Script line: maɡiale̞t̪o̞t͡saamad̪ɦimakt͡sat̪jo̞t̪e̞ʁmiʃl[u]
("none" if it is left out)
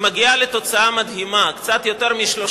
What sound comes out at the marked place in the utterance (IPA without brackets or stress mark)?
o